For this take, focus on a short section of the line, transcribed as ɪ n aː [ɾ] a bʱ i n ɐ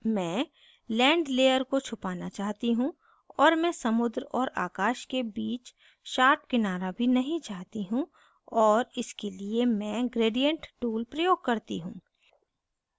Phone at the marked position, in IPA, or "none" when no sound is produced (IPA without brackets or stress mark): ɾ